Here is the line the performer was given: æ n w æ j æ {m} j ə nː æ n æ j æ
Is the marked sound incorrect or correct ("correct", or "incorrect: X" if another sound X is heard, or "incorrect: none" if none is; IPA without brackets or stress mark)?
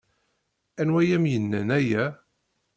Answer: correct